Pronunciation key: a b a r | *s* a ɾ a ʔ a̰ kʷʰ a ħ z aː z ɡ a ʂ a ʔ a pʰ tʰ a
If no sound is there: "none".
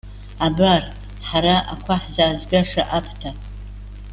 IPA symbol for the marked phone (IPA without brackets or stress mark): ħ